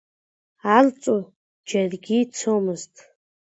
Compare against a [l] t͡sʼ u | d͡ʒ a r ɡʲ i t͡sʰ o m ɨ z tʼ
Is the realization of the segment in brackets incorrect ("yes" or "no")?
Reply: no